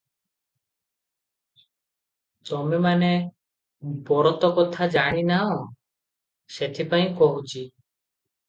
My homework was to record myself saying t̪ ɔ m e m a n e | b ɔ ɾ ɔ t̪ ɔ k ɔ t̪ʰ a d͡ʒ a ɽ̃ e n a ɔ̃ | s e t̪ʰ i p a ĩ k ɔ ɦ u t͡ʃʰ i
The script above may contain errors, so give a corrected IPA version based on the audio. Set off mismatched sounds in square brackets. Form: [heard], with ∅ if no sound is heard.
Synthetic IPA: t̪ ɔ m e m a n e | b ɔ ɾ ɔ t̪ ɔ k ɔ t̪ʰ a d͡ʒ a ɽ̃ [i] n a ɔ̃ | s e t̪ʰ i p a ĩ k ɔ ɦ u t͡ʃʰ i

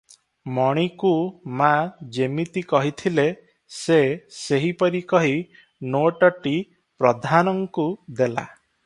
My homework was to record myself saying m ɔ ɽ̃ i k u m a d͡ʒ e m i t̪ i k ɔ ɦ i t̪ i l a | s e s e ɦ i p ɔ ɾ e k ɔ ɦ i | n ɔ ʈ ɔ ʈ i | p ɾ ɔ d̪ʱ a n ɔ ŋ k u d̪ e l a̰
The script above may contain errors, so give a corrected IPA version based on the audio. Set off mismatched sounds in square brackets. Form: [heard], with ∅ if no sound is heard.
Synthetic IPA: m ɔ ɽ̃ i k u m a d͡ʒ e m i t̪ i k ɔ ɦ i [t̪ʰ] i l [e] | s e s e ɦ i p ɔ ɾ [i] k ɔ ɦ i | n [o] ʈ ɔ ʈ i | p ɾ ɔ d̪ʱ a n ɔ ŋ k u d̪ e l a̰

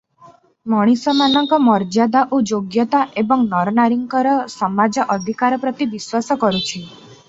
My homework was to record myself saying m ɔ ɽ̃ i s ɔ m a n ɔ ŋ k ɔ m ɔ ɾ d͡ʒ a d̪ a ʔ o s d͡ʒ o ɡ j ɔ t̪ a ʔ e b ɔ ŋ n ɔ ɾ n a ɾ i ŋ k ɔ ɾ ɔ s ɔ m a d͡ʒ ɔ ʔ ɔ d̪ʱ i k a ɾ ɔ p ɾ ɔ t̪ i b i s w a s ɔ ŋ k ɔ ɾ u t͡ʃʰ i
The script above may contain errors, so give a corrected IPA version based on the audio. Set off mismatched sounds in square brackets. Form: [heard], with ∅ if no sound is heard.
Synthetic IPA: m ɔ ɽ̃ i s ɔ m a n ɔ ŋ k ɔ m ɔ ɾ d͡ʒ a d̪ a ʔ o [∅] d͡ʒ o ɡ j ɔ t̪ a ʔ e b ɔ ŋ n ɔ ɾ n a ɾ i ŋ k ɔ ɾ ɔ s ɔ m a d͡ʒ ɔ ʔ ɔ d̪ʱ i k a ɾ ɔ p ɾ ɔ t̪ i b i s w a s ɔ [∅] k ɔ ɾ u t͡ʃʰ i

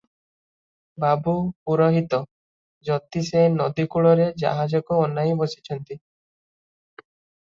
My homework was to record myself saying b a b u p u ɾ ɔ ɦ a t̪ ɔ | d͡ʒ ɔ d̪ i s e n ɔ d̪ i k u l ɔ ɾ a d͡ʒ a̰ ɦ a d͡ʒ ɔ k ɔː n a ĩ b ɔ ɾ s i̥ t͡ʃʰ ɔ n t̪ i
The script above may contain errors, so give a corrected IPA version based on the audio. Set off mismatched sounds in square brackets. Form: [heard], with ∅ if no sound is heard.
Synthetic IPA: b a b u p u ɾ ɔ ɦ [i] t̪ ɔ | d͡ʒ ɔ [t̪] i s e n ɔ d̪ i k u [ɭ] ɔ ɾ [e] d͡ʒ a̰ ɦ a d͡ʒ ɔ k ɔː n a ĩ b ɔ [∅] s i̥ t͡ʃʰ ɔ n t̪ i

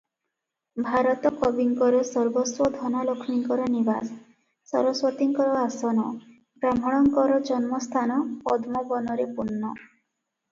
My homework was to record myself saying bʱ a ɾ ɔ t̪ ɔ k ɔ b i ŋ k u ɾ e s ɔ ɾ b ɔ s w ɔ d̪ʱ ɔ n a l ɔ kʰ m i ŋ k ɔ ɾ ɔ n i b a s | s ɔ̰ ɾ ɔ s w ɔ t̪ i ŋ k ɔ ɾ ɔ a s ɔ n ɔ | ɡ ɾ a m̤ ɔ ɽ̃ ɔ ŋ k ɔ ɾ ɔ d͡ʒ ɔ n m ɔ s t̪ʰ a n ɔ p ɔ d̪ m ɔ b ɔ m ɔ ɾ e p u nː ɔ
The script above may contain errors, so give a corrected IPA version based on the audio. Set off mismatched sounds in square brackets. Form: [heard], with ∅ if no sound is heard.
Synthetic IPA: bʱ a ɾ ɔ t̪ ɔ k ɔ b i ŋ k [ɔ] ɾ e s ɔ ɾ b ɔ s w ɔ d̪ʱ ɔ n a l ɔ kʰ m i ŋ k ɔ ɾ ɔ n i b a s | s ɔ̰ ɾ ɔ s w ɔ t̪ i ŋ k ɔ ɾ ɔ a s ɔ n ɔ | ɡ ɾ a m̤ ɔ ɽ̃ ɔ ŋ k ɔ ɾ ɔ d͡ʒ ɔ n m ɔ s t̪ʰ a n ɔ p ɔ d̪ m ɔ b ɔ [n] ɔ ɾ e p u nː ɔ

